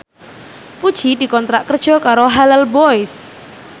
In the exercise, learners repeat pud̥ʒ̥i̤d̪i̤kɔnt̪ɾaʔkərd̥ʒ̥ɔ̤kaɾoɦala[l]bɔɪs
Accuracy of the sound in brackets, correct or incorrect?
correct